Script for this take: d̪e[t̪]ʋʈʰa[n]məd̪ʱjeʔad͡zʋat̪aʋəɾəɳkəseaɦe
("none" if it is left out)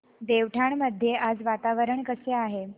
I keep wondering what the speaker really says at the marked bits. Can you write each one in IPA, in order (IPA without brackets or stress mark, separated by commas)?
none, ɳ